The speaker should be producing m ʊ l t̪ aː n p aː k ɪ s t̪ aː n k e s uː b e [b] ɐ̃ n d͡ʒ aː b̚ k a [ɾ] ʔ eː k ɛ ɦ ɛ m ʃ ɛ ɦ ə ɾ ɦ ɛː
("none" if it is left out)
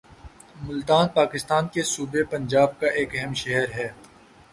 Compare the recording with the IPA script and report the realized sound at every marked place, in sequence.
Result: p, none

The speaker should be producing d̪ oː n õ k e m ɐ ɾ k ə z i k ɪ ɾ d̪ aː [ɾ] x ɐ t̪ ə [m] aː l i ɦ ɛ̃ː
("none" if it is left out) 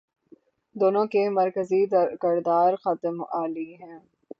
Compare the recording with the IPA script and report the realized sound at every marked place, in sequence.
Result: ɾ, m

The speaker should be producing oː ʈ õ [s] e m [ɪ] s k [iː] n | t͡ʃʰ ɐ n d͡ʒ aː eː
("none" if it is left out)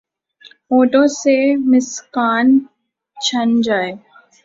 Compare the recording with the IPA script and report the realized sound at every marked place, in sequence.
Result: s, ɪ, aː

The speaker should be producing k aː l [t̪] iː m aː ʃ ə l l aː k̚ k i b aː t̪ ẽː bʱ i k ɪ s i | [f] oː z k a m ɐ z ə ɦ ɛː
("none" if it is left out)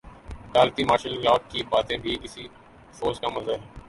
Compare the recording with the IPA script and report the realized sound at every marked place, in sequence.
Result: t̪, f

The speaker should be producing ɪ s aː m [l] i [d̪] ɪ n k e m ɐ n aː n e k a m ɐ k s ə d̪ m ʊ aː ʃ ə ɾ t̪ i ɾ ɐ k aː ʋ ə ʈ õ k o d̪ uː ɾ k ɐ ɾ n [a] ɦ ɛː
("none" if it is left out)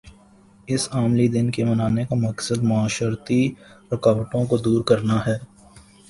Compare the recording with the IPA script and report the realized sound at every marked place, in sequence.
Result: l, d̪, a

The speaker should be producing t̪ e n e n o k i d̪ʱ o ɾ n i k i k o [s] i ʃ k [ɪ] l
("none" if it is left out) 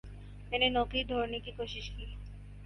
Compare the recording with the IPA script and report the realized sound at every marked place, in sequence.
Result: ʃ, i

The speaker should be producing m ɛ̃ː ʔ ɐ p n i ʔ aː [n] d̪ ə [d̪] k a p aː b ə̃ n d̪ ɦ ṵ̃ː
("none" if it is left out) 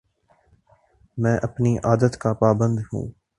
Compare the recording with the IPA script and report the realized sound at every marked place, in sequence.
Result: none, t̪

